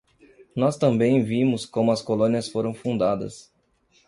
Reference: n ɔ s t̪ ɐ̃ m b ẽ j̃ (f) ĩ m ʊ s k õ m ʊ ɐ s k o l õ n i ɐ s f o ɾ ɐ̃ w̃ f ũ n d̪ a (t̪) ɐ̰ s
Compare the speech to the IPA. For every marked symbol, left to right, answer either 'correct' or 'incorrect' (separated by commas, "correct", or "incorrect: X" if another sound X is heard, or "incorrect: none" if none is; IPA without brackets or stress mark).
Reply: incorrect: v, incorrect: d̪